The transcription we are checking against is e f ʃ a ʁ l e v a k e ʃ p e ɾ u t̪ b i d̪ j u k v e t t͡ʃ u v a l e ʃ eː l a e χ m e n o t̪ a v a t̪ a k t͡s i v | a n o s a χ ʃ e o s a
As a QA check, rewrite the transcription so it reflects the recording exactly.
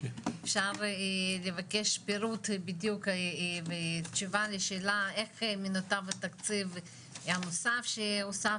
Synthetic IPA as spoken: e f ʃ a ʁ l e v a k e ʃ p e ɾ u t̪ b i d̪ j u k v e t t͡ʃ u v a l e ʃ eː l a e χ m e n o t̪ a v a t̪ a k t͡s i v | a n o s a f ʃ e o s a